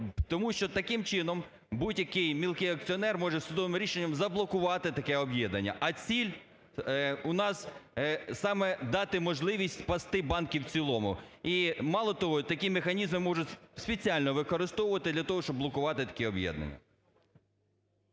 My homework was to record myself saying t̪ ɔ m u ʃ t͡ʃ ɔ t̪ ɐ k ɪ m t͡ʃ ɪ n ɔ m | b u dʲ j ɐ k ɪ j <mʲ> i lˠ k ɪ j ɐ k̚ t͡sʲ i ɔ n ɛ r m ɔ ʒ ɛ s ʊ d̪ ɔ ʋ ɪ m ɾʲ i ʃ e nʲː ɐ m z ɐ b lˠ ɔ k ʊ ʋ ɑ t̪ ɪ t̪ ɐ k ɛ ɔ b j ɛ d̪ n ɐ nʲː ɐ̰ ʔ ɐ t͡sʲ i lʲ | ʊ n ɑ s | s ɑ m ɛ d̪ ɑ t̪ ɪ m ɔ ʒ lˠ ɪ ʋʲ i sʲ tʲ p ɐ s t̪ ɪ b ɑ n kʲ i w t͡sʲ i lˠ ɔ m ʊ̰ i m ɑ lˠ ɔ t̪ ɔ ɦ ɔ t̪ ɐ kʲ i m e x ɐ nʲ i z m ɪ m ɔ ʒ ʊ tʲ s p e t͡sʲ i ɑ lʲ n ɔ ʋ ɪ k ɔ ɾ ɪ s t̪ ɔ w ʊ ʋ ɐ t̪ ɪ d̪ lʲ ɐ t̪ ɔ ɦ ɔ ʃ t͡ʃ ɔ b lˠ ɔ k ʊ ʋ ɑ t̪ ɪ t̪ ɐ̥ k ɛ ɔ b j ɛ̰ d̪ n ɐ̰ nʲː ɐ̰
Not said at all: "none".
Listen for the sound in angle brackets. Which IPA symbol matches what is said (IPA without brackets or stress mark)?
mʲ